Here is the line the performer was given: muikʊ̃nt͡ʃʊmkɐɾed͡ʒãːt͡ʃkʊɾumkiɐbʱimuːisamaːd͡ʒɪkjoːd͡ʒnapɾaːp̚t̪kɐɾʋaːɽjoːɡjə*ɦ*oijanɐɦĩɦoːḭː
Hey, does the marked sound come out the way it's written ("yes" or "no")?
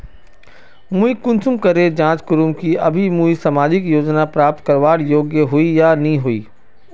yes